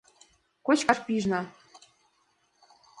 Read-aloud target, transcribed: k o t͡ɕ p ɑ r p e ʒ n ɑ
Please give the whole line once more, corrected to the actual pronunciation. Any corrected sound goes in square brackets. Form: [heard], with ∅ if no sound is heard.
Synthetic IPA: k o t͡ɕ [k] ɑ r p [i] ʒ n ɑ